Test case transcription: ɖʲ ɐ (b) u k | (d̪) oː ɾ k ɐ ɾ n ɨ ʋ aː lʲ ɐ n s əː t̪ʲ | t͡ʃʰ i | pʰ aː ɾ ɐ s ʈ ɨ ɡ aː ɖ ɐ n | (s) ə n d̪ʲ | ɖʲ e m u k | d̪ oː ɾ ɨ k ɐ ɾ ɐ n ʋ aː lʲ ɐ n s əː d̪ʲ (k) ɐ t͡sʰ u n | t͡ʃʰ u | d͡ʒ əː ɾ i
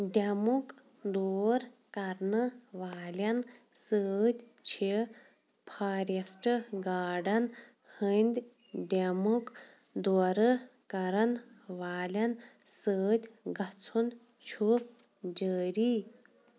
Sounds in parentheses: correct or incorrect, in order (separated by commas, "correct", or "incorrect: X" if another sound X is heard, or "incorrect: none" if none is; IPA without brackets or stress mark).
incorrect: m, correct, incorrect: h, incorrect: ɡ